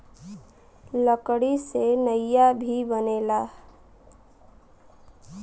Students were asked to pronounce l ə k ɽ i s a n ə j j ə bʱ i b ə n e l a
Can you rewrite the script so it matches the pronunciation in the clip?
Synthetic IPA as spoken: l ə k ɽ i s e n ə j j a bʱ i b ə n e l a